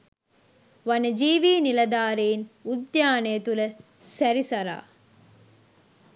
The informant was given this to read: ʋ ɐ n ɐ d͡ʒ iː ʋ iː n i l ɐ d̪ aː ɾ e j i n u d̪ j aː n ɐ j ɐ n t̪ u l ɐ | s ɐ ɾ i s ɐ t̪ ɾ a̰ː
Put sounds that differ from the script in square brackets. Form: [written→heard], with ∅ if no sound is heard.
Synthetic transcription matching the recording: ʋ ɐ n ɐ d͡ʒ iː ʋ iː n i l ɐ d̪ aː ɾ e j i n u d̪ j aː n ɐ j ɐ [n→∅] t̪ u l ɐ | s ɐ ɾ i s ɐ [t̪→∅] ɾ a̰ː